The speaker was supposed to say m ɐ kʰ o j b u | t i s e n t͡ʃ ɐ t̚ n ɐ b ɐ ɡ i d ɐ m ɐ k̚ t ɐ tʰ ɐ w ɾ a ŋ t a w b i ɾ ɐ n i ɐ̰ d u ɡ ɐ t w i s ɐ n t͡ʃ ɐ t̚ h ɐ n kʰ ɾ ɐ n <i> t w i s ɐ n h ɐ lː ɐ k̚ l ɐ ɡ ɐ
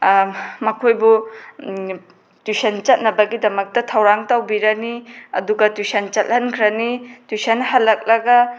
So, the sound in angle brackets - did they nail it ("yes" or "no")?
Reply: yes